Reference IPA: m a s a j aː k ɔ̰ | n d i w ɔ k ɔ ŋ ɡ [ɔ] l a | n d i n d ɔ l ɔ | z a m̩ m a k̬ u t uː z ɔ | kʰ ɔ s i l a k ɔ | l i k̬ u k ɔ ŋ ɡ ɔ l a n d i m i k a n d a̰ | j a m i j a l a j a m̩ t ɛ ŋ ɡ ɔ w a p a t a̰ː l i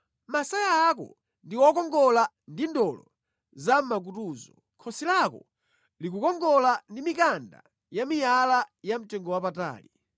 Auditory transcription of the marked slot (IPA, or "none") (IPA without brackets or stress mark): ɔ